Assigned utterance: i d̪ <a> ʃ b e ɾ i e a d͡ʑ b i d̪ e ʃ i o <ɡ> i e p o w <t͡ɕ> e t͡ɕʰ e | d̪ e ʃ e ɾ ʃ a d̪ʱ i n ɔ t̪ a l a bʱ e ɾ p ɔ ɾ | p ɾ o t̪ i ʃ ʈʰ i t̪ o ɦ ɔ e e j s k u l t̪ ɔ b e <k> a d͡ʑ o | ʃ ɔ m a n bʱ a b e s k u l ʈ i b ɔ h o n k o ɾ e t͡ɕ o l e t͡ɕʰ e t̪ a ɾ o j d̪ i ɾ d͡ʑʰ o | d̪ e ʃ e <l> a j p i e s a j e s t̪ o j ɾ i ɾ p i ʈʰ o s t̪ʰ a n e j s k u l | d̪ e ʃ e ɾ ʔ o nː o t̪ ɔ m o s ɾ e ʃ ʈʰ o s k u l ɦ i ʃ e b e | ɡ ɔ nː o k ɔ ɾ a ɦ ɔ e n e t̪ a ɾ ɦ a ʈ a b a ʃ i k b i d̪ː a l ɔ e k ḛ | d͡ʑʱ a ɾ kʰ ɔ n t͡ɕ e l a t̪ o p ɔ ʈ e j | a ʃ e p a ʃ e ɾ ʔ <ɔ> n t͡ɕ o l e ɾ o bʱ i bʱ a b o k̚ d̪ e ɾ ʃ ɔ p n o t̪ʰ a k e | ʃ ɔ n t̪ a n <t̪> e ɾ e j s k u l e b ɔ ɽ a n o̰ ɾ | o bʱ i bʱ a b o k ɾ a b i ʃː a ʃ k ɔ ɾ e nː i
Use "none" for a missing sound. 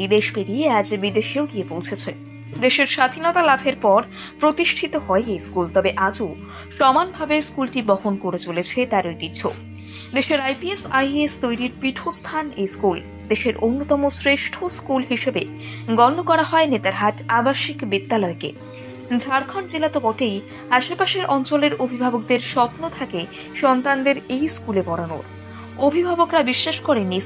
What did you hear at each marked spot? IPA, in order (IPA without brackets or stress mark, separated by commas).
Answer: e, ɡ, t͡ɕʰ, ʔ, ɾ, ɔ, d̪